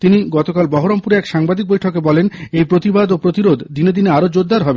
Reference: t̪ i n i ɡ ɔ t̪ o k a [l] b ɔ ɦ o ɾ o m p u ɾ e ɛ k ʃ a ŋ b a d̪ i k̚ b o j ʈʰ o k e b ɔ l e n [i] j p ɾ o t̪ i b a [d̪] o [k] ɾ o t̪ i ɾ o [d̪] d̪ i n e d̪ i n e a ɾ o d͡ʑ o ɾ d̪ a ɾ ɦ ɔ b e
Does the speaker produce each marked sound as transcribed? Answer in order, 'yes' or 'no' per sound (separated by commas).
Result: yes, no, yes, no, yes